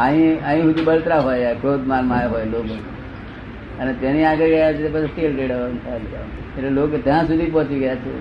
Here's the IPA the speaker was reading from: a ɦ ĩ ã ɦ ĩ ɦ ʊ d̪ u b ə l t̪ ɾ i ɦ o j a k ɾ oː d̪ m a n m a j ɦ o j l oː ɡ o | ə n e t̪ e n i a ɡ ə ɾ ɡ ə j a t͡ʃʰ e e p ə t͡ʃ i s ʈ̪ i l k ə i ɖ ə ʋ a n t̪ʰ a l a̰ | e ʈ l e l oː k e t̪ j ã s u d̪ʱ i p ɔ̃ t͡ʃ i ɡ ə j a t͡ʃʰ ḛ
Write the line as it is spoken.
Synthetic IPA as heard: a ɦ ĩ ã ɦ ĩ ɦ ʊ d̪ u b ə l t̪ ɾ a ɦ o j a k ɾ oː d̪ m a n m a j ɦ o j l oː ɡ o | ə n e t̪ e n i a ɡ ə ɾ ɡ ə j a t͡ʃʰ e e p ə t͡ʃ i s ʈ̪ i l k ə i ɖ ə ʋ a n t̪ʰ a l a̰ | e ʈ l e l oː k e t̪ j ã s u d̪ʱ i p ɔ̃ t͡ʃ i ɡ ə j a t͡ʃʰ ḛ